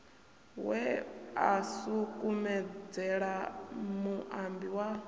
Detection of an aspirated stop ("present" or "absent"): absent